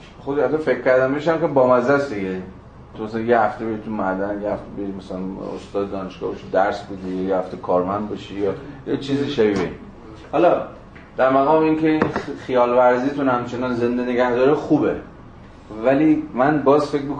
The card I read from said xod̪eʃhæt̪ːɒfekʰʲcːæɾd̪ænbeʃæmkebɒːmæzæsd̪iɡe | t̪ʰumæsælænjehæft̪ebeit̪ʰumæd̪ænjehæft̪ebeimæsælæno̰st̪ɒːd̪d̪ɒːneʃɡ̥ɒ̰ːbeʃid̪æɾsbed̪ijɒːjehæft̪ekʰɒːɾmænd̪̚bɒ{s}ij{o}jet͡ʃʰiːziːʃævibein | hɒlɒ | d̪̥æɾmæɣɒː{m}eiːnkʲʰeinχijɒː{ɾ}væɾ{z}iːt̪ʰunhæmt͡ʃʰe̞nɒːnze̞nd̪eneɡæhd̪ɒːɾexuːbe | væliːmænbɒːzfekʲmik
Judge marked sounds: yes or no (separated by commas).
no, no, yes, no, yes